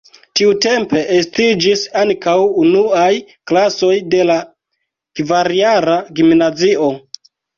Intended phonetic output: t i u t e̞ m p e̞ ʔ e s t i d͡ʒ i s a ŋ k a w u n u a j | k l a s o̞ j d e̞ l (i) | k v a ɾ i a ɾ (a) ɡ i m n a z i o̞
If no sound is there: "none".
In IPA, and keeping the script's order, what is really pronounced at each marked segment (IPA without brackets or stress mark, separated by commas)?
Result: a, a